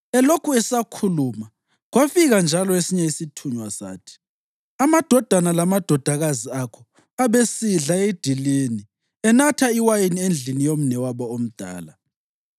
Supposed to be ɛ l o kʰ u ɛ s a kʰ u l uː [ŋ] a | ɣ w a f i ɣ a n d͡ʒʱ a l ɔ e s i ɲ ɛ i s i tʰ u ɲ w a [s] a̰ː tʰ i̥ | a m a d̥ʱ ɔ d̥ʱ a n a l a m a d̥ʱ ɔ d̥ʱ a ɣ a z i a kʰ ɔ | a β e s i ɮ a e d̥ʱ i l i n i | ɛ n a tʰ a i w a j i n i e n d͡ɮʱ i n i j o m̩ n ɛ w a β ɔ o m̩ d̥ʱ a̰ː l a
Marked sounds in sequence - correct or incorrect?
incorrect: m, correct

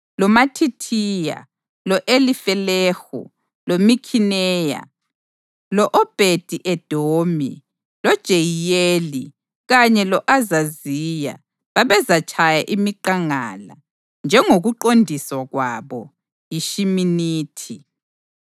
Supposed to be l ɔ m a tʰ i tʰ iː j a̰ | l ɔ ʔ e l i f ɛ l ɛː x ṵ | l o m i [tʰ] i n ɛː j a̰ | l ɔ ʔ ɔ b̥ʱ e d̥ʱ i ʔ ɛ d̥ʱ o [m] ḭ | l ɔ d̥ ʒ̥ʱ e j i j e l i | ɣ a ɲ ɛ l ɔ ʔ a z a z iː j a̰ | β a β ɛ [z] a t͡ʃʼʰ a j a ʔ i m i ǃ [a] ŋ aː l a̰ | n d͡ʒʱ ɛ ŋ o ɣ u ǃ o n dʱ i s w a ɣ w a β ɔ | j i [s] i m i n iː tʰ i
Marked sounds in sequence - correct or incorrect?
incorrect: kʰ, correct, correct, correct, incorrect: ʃ

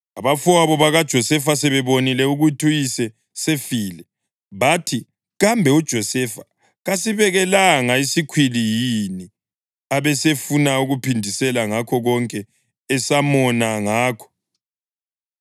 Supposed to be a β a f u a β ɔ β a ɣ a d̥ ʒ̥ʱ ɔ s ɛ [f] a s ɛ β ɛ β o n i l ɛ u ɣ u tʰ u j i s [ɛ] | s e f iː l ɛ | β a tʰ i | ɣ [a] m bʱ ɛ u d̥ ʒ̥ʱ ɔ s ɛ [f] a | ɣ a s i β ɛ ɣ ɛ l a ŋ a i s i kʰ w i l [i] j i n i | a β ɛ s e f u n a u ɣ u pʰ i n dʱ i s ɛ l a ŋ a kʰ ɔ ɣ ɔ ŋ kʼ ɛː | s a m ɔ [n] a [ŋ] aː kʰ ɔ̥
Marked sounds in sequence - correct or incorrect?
correct, correct, correct, correct, correct, correct, correct

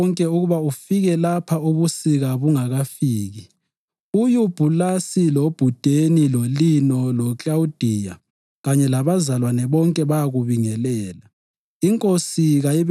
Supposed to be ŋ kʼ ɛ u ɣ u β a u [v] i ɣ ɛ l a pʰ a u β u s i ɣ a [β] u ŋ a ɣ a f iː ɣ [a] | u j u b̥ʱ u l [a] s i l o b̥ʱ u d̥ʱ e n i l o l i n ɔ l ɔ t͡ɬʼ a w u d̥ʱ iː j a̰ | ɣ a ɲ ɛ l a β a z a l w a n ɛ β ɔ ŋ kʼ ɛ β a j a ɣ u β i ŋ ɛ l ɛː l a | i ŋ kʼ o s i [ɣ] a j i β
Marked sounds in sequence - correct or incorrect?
incorrect: f, correct, incorrect: i, correct, correct

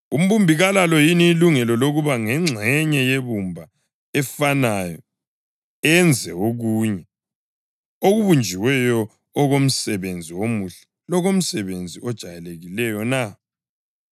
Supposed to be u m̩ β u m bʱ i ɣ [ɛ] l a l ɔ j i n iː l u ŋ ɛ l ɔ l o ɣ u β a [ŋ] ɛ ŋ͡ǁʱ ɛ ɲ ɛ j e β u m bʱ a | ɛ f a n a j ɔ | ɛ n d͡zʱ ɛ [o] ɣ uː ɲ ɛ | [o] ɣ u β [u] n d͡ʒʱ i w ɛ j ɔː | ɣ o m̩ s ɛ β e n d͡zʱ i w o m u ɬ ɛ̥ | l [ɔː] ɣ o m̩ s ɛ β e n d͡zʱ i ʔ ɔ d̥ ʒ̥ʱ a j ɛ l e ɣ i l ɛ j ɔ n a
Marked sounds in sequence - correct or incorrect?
incorrect: a, correct, correct, correct, correct, incorrect: ɔ

